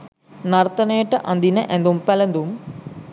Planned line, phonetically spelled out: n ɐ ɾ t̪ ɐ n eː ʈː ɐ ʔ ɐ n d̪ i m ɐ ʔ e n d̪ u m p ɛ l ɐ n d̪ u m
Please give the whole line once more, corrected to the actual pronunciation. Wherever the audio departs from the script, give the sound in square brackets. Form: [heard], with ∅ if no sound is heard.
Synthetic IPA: n ɐ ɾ t̪ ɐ n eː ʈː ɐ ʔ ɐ n d̪ i [n] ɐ ʔ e n d̪ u m p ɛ l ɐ n d̪ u m